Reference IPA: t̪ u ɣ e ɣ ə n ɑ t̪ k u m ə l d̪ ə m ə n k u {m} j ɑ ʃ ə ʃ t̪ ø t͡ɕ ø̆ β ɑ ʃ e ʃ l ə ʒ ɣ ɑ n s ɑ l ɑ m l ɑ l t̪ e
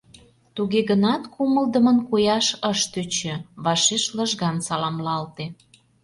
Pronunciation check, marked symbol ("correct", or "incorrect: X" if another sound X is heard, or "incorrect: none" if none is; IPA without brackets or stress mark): incorrect: none